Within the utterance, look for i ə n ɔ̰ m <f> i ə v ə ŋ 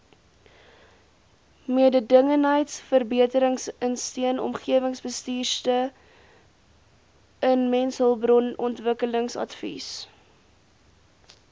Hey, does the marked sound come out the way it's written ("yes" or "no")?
no